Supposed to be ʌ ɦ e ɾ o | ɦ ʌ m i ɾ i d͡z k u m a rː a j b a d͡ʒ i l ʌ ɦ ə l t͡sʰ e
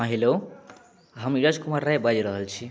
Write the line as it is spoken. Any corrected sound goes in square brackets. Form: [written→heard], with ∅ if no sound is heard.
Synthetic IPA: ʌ ɦ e [ɾ→l] o | ɦ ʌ m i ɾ [i→a] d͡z k u m a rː a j b a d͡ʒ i [l→ɾ] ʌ ɦ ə l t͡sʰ [e→i]